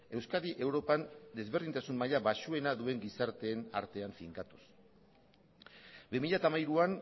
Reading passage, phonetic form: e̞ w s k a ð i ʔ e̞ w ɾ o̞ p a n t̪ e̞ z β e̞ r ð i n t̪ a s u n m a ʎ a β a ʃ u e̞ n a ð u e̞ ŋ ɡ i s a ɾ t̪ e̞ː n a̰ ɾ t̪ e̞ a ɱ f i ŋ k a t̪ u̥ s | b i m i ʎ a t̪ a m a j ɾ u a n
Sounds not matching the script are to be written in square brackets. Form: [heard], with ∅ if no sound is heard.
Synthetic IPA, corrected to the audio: e̞ w s k a ð i ʔ e̞ w ɾ o̞ p a n [d̪] e̞ z β e̞ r ð i n t̪ a s u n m a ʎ a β a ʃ u e̞ n a ð u e̞ ŋ ɡ i s a ɾ t̪ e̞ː n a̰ ɾ t̪ e̞ a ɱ f i ŋ k a t̪ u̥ s | b i m i ʎ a t̪ a m a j ɾ u a n